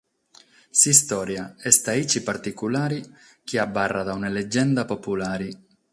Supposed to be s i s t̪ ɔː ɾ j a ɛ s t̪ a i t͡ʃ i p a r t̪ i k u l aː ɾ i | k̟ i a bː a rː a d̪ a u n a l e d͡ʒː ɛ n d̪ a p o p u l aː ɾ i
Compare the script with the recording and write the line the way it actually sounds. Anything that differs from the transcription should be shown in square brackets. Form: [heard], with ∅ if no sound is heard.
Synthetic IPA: s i s t̪ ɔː ɾ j a ɛ s t̪ a i t͡ʃ i p a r t̪ i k u l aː ɾ i | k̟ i a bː a rː a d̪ a u n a l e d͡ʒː ɛ n d̪ a p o p u l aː ɾ i